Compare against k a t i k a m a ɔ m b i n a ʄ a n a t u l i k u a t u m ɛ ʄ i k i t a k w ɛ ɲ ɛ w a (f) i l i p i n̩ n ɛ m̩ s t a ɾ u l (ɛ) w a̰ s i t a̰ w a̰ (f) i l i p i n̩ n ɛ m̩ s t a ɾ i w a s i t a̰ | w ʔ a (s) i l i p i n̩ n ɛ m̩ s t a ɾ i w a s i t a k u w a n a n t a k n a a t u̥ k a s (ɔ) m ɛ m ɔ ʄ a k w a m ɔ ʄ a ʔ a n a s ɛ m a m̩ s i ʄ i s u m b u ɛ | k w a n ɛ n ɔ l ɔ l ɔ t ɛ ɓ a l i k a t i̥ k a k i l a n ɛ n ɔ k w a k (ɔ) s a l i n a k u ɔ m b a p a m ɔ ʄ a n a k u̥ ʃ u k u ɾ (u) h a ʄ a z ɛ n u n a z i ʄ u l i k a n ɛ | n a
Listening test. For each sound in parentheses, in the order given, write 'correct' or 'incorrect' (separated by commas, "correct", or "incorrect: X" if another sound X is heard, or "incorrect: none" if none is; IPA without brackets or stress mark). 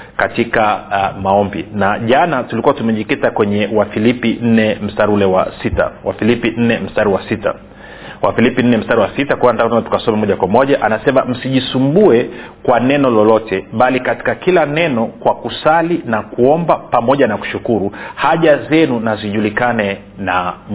correct, correct, correct, incorrect: f, correct, incorrect: u, correct